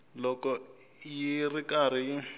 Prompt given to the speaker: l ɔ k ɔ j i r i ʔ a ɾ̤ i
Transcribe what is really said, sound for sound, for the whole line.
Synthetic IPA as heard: l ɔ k ɔ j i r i k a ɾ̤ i